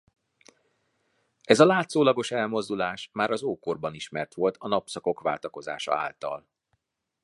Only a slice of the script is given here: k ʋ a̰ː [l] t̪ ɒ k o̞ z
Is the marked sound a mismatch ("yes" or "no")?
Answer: no